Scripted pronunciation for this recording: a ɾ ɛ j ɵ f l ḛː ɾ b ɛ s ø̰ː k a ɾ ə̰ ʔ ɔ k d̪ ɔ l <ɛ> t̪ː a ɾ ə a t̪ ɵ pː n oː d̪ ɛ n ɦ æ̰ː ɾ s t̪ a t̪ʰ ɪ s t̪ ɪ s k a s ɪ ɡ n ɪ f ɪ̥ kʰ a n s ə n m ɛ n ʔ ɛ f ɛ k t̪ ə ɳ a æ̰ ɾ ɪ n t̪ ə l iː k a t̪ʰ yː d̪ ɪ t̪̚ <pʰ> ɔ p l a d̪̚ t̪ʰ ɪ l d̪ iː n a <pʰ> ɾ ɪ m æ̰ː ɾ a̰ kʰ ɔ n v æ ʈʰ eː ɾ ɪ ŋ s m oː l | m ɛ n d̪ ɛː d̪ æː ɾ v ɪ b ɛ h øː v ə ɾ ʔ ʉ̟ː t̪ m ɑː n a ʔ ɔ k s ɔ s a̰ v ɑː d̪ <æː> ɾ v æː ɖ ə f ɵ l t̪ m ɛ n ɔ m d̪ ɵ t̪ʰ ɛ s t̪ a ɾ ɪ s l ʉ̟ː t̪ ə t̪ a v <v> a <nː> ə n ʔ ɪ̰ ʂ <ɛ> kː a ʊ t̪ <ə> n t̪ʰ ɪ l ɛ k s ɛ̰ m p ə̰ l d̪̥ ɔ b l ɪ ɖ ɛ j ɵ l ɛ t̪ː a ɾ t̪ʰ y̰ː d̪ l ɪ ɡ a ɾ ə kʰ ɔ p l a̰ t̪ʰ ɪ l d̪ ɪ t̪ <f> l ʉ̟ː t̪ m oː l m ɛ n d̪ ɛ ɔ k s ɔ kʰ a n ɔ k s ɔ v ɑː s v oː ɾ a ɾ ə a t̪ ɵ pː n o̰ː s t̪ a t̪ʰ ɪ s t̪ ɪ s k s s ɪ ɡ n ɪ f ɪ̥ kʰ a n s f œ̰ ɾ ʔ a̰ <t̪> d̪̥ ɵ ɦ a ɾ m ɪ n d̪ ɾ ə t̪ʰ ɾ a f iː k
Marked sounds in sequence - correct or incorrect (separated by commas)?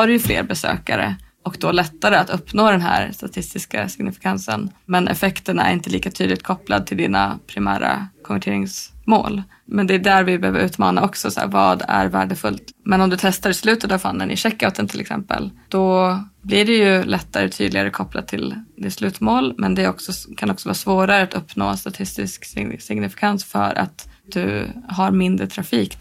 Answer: correct, incorrect, correct, incorrect, incorrect, correct, correct, correct, incorrect, correct